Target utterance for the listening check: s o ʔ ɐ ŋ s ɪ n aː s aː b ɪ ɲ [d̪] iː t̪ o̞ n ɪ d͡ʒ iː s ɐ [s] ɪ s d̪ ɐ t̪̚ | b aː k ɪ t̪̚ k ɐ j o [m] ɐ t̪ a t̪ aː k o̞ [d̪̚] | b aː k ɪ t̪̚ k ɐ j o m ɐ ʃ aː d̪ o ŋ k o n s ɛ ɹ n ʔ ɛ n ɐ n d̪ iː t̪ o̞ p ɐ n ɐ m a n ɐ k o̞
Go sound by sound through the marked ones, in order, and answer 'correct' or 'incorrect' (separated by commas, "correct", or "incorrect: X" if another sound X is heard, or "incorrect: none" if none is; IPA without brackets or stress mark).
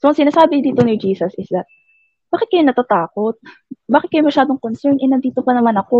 correct, correct, incorrect: n, incorrect: t̪̚